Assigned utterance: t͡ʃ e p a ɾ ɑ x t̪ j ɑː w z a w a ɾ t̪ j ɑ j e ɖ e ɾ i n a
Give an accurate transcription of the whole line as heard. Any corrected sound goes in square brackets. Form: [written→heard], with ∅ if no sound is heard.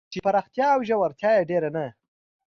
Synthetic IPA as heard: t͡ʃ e p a ɾ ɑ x t̪ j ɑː w [z→ʒ] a w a ɾ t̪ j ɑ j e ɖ e ɾ [i→a] n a